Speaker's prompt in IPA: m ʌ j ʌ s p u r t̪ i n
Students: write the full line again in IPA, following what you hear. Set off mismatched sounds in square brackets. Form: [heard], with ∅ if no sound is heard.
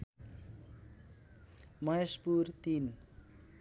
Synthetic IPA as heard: m ʌ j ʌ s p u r t̪ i n